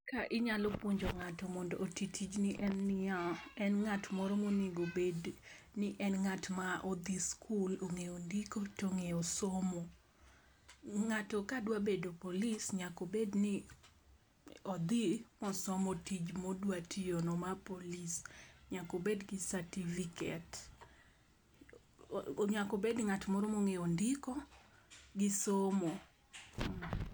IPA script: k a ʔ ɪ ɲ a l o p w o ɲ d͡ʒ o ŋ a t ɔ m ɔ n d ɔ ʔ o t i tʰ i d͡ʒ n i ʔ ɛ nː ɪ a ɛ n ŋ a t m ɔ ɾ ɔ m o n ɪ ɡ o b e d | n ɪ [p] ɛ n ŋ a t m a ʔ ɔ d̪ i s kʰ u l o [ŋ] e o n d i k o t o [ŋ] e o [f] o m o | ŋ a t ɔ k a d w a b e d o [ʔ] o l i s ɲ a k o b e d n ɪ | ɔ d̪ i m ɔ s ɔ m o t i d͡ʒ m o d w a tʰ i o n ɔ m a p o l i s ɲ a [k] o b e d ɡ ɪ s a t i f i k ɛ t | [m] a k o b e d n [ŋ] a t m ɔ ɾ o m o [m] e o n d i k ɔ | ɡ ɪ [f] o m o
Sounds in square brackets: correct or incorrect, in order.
incorrect: ʔ, correct, correct, incorrect: s, incorrect: p, correct, incorrect: ɲ, correct, incorrect: ŋ, incorrect: s

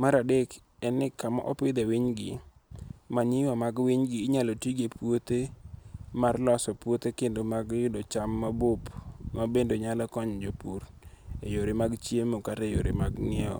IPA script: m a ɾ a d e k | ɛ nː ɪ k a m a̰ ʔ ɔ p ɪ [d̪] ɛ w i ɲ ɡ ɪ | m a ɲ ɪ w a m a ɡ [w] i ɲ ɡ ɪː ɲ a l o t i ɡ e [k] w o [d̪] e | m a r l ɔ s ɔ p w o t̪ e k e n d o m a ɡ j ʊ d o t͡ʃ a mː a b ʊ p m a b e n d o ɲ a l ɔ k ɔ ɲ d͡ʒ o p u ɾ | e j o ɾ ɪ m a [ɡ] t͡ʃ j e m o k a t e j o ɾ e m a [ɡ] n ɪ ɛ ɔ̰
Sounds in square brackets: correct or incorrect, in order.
correct, correct, incorrect: p, incorrect: t̪, correct, correct

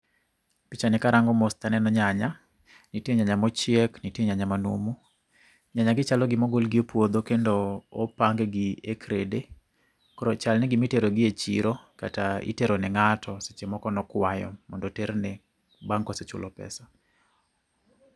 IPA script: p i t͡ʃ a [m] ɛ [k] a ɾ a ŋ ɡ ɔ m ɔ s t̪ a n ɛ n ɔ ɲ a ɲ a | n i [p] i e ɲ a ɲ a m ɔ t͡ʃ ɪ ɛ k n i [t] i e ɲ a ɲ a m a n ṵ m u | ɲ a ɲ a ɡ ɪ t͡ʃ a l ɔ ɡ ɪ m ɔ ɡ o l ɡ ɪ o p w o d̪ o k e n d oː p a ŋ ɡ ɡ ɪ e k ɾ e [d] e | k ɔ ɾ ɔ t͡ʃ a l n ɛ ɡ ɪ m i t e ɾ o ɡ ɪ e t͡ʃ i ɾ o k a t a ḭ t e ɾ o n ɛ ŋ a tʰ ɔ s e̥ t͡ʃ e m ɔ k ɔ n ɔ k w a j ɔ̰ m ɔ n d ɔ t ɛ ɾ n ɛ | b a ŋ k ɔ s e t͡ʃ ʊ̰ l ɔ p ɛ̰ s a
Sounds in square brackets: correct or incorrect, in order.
incorrect: n, correct, incorrect: t, correct, correct

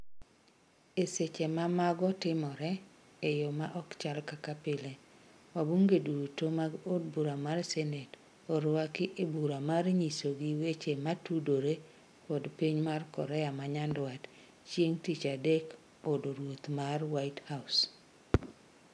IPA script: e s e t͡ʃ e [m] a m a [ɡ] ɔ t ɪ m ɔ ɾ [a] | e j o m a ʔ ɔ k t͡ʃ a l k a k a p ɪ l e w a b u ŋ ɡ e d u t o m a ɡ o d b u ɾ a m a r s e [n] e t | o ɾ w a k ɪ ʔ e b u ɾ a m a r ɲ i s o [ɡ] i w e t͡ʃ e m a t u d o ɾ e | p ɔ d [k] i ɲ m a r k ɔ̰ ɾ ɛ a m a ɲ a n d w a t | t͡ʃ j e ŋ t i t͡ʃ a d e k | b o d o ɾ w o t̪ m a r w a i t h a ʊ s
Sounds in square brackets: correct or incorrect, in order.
correct, correct, incorrect: ɛ, correct, correct, incorrect: p

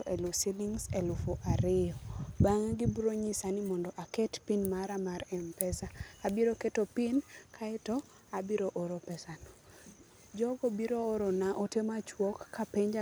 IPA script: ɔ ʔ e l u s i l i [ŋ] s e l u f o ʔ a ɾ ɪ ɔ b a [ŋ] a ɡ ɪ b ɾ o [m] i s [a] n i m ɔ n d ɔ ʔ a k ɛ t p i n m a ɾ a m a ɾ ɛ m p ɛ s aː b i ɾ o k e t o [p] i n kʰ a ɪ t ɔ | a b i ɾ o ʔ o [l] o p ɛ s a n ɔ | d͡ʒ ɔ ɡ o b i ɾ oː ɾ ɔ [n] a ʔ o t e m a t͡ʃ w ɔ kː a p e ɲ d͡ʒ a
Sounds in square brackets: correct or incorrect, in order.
correct, correct, incorrect: ɲ, correct, correct, incorrect: ɾ, correct

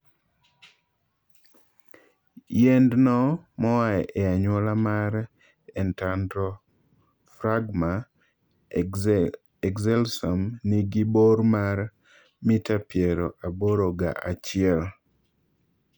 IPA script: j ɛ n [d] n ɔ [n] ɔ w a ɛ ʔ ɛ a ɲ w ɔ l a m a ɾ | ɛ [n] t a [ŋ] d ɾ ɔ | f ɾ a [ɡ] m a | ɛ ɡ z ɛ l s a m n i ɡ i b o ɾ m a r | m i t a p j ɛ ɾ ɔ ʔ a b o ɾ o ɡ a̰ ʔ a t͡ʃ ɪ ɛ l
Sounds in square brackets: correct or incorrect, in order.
correct, incorrect: m, correct, incorrect: n, correct

